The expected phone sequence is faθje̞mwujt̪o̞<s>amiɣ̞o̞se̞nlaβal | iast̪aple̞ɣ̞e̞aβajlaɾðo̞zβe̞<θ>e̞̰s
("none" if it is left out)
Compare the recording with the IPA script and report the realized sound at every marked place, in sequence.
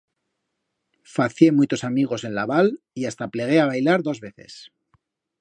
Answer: s, θ

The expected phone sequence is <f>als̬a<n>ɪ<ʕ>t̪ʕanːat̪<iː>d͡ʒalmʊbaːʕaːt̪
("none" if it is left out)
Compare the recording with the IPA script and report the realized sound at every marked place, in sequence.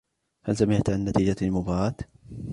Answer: h, m, ʕ, iː

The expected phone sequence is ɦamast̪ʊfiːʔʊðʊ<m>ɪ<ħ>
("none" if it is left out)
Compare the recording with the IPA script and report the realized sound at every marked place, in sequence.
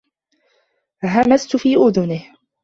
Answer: n, h

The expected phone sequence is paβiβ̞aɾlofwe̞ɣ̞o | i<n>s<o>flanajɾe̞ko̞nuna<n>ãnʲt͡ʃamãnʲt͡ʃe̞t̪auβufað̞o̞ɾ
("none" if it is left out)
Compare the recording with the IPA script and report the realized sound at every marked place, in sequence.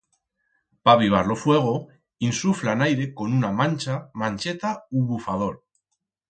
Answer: n, u, m

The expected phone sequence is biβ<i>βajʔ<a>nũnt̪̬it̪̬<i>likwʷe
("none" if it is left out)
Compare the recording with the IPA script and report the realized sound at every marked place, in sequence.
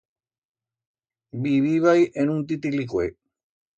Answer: i, e, i

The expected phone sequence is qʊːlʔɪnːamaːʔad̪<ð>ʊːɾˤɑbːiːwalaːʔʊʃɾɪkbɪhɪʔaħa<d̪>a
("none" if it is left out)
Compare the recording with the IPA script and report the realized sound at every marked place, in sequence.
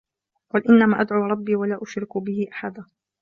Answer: ʕ, d̪

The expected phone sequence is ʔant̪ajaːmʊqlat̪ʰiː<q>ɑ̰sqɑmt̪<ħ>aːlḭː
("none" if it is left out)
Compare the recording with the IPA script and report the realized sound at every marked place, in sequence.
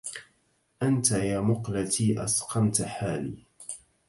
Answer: ʔ, ħ

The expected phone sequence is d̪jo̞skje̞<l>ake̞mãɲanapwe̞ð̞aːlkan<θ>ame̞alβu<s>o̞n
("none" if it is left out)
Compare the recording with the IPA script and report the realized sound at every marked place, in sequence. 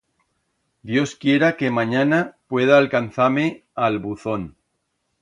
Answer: ɾ, θ, θ

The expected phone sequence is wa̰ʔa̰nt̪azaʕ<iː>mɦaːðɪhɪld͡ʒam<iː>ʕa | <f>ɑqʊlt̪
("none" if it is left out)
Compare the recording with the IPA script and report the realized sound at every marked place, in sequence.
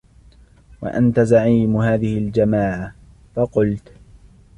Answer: iː, aː, f

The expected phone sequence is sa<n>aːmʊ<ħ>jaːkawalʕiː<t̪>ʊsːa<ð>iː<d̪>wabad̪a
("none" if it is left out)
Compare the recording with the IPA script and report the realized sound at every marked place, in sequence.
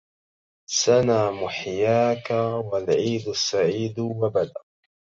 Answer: n, ħ, d̪, ʕ, d̪

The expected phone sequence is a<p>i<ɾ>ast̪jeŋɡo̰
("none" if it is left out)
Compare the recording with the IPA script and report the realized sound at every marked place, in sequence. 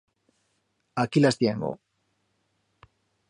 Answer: k, l

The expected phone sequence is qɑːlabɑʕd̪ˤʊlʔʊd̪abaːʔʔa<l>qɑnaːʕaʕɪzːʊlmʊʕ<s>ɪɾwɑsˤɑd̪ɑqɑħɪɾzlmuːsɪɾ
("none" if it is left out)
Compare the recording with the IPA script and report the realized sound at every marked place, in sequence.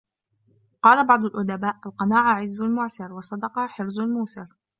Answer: l, s

